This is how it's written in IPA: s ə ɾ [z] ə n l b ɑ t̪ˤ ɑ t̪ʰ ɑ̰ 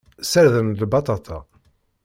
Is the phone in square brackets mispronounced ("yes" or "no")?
yes